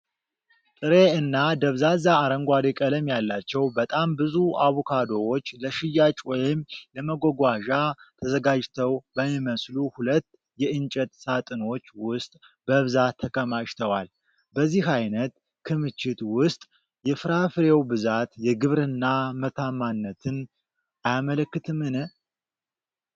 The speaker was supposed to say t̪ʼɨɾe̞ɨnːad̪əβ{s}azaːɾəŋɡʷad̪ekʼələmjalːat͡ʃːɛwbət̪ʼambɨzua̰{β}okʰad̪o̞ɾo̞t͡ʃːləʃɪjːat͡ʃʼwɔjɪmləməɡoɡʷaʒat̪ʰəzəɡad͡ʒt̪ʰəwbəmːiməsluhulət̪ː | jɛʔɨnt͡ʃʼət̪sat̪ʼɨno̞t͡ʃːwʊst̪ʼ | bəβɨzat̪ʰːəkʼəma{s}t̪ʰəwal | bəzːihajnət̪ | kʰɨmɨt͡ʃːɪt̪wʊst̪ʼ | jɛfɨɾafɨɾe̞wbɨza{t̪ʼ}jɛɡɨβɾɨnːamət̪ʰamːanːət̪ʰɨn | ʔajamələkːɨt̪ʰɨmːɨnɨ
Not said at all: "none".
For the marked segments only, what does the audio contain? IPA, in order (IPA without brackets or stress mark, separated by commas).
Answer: z, β, ʃ, t̪